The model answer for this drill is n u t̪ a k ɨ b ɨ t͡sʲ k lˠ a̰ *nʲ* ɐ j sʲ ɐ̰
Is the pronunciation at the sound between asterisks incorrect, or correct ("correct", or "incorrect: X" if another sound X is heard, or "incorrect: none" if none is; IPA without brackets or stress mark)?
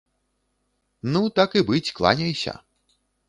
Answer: correct